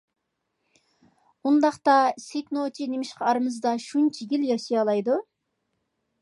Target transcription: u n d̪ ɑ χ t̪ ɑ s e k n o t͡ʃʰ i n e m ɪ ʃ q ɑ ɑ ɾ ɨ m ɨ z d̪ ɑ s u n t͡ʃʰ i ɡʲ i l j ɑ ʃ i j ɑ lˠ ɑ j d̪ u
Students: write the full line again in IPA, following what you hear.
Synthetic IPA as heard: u n d̪ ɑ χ t̪ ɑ s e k n o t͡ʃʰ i n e m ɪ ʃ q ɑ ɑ ɾ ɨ m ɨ z d̪ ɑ ʃ u n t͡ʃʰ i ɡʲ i l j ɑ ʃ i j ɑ lˠ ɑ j d̪ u

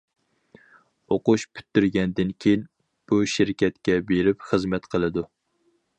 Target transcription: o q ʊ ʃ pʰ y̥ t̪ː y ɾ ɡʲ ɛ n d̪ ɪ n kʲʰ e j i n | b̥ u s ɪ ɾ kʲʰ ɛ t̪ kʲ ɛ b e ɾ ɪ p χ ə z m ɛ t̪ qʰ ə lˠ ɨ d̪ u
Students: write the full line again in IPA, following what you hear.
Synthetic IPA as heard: o q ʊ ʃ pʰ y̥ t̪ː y ɾ ɡʲ ɛ n d̪ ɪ n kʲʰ e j i n | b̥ u ʃ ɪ ɾ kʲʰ ɛ t̪ kʲ ɛ b e ɾ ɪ p χ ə z m ɛ t̪ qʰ ə lˠ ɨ d̪ u

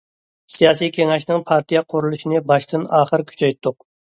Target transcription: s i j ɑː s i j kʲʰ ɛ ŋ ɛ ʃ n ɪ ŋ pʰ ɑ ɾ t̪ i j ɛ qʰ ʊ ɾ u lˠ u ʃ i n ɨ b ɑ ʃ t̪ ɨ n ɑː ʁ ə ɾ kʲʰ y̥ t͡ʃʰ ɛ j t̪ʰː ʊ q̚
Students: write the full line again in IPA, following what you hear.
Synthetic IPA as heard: s i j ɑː s i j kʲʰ e ŋ ɛ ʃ n ɪ ŋ pʰ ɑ ɾ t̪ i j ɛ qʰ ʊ ɾ u lˠ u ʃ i n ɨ b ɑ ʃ t̪ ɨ n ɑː χ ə ɾ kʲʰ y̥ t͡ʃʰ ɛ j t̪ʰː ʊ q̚

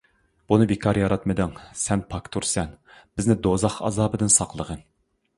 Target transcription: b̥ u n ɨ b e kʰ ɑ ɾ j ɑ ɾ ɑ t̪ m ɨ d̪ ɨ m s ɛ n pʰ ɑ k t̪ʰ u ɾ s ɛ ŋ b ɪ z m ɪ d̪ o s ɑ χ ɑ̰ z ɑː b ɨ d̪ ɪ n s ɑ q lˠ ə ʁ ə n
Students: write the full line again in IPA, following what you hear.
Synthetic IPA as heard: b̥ u n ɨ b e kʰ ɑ ɾ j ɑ ɾ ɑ t̪ m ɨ d̪ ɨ ŋ s ɛ n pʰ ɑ k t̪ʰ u ɾ s ɛ n b ɪ z n ɪ d̪ o z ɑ χ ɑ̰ z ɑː b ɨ d̪ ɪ n s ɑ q lˠ ə ʁ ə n

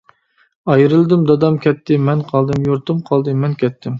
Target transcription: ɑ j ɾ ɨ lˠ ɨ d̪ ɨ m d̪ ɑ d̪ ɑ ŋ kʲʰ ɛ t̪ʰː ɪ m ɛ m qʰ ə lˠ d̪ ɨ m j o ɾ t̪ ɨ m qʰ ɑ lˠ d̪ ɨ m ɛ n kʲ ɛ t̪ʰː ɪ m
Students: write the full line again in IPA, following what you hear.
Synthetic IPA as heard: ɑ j ɾ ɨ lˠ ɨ d̪ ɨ m d̪ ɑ d̪ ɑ m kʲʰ ɛ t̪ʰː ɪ m ɛ n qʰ ɑ lˠ d̪ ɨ m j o ɾ t̪ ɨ m qʰ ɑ lˠ d̪ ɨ m ɛ n kʲ ɛ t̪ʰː ɪ m

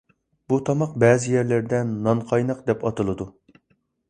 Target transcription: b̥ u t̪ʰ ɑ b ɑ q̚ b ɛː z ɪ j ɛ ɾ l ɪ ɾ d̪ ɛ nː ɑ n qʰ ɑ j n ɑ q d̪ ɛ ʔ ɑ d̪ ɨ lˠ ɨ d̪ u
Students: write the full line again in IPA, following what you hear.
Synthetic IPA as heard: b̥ u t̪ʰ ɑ m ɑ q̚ b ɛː z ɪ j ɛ ɾ l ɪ ɾ d̪ ɛ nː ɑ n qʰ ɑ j n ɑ q d̪ ɛ p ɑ t̪ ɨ lˠ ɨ d̪ u

